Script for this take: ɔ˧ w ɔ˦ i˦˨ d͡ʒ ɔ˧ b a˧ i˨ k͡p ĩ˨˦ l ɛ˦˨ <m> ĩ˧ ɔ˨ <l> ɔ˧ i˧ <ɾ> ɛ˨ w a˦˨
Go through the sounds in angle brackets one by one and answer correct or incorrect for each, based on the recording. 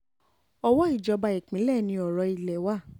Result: incorrect: n, incorrect: ɾ, incorrect: l

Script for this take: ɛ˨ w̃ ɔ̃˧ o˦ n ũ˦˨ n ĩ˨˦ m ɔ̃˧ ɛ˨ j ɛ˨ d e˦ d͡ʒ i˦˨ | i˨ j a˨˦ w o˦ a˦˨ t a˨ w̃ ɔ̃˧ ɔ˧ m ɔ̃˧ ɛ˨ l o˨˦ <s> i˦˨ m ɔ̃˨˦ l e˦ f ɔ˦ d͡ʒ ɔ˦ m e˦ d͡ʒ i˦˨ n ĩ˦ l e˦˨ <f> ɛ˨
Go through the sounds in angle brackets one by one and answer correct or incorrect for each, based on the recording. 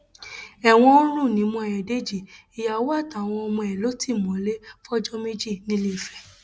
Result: incorrect: t, correct

